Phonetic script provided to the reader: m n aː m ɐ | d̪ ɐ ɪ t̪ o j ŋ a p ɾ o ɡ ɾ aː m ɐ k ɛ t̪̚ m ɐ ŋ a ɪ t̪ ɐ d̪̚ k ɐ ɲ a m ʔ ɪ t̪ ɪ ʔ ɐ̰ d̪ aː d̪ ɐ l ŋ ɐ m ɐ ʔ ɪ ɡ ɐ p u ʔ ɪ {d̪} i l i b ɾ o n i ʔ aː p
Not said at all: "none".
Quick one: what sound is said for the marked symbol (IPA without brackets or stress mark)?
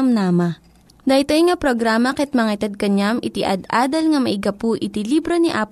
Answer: t̪